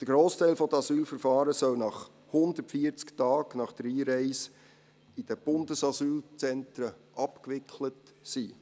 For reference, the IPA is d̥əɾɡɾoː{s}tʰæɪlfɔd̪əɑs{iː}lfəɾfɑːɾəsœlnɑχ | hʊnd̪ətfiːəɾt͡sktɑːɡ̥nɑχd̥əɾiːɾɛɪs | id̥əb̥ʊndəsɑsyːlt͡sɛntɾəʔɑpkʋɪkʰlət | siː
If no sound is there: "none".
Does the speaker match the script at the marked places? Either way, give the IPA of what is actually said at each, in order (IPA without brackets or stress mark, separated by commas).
s, yː